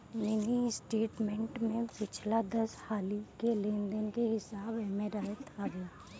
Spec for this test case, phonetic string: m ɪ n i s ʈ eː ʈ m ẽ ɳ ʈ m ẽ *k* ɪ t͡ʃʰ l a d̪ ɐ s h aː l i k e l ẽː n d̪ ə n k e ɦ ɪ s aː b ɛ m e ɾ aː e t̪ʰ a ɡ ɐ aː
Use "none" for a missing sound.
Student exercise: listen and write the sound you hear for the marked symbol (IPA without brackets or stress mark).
p